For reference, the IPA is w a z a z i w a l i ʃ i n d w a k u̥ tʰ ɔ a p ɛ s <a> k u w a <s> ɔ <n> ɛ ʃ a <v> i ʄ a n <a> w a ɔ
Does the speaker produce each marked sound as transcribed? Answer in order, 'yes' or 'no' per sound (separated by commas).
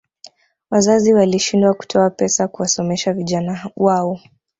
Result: yes, yes, no, yes, yes